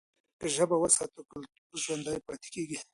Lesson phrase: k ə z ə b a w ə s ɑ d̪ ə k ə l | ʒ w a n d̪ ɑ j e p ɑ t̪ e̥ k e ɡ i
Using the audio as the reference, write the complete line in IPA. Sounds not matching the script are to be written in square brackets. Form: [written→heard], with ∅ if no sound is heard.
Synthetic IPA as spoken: k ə [z→ʒ] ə b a w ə s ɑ [d̪→t̪] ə k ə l | ʒ w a n d̪ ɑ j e p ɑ t̪ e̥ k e ɡ i